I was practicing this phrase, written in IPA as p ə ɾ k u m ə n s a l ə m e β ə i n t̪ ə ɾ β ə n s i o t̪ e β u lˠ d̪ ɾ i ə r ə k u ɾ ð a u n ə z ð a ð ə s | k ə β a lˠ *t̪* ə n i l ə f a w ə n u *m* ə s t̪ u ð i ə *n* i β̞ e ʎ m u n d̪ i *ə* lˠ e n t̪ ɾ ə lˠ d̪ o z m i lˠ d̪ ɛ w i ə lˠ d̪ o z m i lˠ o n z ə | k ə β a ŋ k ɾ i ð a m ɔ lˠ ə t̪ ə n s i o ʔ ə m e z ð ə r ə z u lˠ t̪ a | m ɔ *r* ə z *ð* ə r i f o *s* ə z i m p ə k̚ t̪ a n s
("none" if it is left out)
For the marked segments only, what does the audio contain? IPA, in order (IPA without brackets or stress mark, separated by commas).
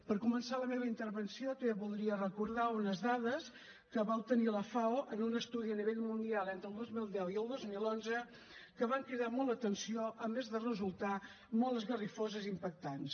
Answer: t̪, n, n, a, l, ɣ, z